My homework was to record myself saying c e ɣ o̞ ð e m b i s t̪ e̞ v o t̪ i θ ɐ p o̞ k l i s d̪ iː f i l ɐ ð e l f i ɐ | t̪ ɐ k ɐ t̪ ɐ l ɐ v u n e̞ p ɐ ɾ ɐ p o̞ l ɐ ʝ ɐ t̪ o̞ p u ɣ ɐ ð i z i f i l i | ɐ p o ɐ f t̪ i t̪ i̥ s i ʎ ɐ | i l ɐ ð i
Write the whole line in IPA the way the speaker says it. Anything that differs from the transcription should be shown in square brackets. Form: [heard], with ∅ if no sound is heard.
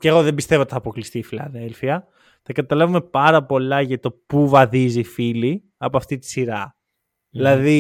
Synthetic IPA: c e ɣ o̞ ð e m b i s t̪ e̞ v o t̪ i θ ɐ p o̞ k l i s [t̪] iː f i l ɐ ð e l f i ɐ | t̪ ɐ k ɐ t̪ ɐ l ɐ v u [m] e̞ p ɐ ɾ ɐ p o̞ l ɐ ʝ ɐ t̪ o̞ p u [v] ɐ ð i z i f i l i | ɐ p o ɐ f t̪ i t̪ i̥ s i [ɾ] ɐ | i l ɐ ð i